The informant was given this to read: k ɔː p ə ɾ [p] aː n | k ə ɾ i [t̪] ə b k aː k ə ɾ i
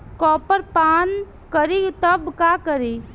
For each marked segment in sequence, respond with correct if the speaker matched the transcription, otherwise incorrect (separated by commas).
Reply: correct, correct